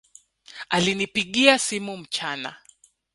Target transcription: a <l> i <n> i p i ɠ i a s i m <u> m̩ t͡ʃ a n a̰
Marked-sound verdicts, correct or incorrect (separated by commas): correct, correct, correct